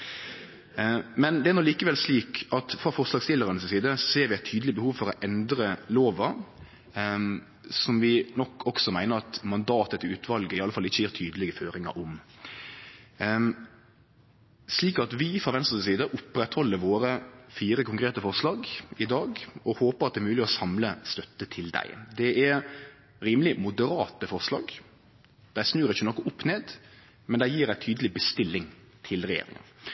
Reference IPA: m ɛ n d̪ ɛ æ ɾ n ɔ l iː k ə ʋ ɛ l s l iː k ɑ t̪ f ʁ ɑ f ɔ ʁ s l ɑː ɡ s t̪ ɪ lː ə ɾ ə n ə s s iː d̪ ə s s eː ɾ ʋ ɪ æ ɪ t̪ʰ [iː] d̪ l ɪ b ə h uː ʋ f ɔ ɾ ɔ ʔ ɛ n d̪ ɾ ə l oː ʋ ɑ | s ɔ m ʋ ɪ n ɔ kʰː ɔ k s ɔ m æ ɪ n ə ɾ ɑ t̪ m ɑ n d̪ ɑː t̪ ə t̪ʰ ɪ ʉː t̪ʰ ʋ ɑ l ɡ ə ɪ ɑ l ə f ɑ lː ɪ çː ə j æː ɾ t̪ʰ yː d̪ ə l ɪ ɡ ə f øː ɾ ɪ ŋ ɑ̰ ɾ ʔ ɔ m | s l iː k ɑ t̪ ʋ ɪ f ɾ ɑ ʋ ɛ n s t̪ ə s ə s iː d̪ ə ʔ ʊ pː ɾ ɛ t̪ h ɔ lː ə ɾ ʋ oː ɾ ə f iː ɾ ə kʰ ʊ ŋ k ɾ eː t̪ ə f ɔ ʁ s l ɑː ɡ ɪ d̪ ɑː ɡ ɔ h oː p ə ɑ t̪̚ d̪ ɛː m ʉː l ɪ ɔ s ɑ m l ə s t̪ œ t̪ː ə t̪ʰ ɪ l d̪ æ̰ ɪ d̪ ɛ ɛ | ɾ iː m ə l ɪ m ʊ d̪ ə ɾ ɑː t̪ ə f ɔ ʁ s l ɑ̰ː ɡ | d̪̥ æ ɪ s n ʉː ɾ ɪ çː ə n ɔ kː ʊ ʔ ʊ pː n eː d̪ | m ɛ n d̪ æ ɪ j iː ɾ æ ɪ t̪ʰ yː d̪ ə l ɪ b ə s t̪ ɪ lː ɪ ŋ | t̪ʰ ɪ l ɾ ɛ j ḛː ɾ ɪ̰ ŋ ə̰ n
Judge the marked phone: incorrect: yː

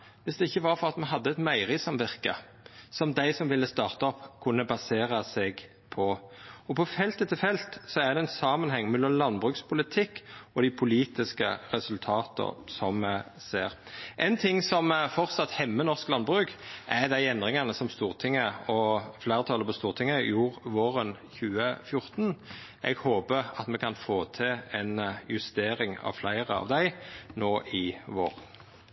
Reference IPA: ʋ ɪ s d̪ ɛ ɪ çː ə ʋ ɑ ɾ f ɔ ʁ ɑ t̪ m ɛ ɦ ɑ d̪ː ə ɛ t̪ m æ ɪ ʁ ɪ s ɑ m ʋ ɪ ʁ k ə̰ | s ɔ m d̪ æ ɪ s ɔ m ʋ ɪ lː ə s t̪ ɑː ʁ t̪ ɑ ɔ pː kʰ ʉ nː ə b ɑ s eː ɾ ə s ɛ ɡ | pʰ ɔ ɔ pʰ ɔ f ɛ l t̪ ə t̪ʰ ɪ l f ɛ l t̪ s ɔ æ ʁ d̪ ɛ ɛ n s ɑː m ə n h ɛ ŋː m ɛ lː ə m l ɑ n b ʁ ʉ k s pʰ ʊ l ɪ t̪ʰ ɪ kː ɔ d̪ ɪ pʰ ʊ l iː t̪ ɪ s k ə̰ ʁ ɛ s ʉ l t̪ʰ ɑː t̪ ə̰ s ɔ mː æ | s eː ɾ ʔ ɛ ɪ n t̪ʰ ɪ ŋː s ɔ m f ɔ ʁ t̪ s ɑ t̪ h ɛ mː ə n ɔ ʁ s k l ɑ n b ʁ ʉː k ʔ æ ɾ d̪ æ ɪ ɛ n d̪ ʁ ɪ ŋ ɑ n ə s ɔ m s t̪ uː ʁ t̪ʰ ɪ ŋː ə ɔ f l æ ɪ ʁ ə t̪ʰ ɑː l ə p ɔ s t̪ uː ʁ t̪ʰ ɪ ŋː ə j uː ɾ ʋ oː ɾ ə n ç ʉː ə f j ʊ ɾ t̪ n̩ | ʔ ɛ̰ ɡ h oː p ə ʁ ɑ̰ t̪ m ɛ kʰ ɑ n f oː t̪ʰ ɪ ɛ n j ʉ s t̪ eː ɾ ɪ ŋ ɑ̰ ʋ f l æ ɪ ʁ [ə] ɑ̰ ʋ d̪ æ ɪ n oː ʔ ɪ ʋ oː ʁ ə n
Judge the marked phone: correct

